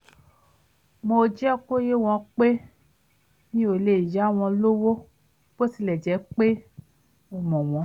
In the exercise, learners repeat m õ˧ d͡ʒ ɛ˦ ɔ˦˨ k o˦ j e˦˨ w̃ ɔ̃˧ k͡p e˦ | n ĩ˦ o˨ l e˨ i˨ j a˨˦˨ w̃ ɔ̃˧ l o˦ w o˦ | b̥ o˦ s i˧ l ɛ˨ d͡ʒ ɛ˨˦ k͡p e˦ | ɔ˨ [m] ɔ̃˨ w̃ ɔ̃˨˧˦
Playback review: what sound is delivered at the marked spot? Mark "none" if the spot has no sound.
m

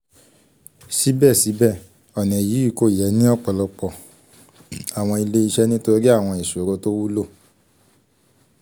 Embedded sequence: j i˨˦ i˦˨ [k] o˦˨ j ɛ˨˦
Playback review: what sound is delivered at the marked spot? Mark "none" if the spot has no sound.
k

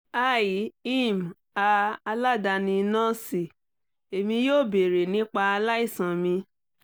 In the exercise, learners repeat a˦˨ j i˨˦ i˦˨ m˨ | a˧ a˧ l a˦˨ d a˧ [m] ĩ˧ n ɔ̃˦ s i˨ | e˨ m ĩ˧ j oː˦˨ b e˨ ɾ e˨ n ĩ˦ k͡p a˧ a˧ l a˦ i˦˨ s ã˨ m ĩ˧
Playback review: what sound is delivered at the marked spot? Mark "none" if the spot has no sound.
n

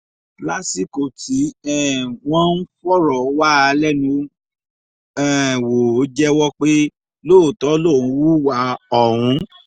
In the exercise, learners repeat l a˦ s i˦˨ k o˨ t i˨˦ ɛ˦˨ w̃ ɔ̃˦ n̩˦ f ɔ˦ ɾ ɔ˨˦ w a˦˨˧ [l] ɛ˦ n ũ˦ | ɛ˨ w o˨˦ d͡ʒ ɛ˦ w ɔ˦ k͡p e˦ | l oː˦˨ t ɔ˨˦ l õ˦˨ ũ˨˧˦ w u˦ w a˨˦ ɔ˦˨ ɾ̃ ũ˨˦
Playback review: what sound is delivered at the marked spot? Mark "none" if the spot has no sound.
l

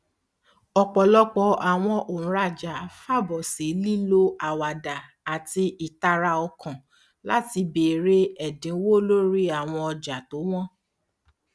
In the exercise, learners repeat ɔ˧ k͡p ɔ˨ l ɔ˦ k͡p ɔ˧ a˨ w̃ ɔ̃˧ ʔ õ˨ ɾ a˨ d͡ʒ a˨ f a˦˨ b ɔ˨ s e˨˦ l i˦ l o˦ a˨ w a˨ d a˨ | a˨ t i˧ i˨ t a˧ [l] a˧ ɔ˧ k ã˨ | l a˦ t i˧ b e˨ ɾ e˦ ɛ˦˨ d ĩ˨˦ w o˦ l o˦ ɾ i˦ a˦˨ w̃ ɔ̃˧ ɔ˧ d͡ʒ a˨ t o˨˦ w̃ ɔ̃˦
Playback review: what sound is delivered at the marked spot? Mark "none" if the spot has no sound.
ɾ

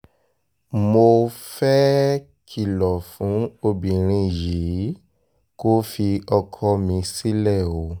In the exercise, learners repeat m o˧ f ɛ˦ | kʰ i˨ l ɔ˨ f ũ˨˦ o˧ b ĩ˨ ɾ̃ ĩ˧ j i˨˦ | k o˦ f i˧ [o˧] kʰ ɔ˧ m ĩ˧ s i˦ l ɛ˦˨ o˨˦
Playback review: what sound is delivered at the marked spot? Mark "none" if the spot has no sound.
ɔ˧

